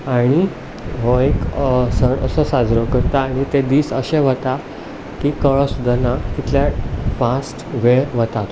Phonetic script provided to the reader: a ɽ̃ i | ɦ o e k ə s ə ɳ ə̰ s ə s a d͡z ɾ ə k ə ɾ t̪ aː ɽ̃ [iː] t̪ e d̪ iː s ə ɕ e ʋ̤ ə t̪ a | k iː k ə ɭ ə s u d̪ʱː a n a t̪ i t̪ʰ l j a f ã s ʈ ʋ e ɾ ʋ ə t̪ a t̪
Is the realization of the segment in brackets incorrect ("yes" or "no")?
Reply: yes